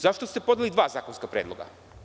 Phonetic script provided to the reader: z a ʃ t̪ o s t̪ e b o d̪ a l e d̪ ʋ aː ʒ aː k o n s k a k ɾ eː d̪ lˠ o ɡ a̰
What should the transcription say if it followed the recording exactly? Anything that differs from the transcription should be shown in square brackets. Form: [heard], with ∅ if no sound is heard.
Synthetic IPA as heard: z a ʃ t̪ o s t̪ e [p] o d̪ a l [i] d̪ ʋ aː [z] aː k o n s k a [p] ɾ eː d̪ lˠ o ɡ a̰